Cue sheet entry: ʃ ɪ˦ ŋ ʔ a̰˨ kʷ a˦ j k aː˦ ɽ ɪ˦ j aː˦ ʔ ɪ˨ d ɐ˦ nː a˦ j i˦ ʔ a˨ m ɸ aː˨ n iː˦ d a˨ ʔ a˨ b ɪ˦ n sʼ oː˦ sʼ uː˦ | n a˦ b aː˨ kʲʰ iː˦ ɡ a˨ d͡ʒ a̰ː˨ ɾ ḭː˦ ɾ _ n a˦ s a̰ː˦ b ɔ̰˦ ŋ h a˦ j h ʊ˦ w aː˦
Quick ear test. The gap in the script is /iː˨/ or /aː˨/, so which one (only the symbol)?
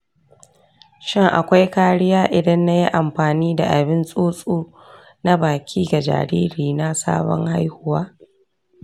iː˨